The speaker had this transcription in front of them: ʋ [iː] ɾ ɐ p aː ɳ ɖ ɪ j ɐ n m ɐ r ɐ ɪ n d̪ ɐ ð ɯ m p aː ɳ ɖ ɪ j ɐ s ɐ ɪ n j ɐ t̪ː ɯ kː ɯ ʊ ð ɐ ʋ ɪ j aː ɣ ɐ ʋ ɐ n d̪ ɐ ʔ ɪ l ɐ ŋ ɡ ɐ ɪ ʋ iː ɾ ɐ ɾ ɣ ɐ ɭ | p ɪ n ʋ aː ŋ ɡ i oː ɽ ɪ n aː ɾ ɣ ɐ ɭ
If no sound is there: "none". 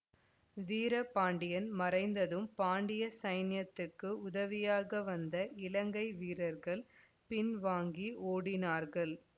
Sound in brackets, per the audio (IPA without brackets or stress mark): iː